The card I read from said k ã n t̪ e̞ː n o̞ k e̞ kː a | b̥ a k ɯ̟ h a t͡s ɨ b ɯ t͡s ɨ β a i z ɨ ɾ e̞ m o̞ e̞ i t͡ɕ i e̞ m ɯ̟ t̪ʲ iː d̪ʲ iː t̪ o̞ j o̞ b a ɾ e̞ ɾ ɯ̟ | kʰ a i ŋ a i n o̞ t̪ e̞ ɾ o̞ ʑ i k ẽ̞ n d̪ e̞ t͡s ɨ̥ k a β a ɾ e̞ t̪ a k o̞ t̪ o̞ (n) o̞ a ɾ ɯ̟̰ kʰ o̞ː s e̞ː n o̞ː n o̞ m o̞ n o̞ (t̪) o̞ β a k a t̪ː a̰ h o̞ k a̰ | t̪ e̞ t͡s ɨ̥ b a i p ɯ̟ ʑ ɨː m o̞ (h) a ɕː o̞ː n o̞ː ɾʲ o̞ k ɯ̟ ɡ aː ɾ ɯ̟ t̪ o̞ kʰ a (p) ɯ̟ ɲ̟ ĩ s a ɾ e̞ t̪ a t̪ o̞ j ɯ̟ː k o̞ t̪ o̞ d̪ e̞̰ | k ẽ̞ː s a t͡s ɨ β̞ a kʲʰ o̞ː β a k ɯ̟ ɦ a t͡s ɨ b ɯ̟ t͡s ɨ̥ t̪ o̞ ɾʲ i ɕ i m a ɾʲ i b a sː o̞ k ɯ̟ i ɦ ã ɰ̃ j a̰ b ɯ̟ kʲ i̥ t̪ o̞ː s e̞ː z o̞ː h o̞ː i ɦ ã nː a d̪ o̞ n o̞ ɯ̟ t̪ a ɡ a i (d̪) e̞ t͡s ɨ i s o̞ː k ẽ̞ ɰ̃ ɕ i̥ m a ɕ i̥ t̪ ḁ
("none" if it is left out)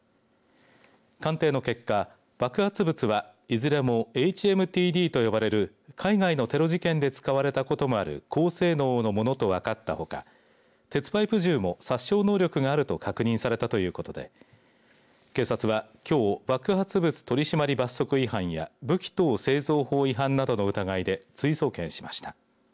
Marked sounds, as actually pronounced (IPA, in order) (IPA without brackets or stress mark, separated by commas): m, t̪, s, k, d̪